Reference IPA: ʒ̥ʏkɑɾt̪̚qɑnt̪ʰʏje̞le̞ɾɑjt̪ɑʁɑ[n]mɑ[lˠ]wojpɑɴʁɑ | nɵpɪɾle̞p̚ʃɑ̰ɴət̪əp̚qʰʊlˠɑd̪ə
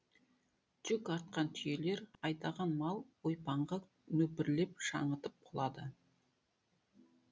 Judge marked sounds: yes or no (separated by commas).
yes, yes